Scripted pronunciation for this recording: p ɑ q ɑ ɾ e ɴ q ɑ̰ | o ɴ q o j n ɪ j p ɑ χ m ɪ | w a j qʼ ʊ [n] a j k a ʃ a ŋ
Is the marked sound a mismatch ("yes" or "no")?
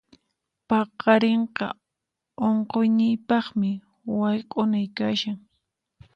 no